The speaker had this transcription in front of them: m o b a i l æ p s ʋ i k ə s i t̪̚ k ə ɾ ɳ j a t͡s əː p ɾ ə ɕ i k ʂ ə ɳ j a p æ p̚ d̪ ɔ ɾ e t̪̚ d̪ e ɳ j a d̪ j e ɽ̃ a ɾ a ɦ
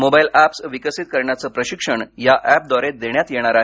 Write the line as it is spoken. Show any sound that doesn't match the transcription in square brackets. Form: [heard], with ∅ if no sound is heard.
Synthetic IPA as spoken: m o b a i l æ p s ʋ i k ə s i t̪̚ k ə ɾ ɳ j a t͡s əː p ɾ ə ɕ i k ʂ ə ɳ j a [ʔ] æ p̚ d̪ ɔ ɾ e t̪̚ d̪ e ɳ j a [t̪] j e ɽ̃ a ɾ a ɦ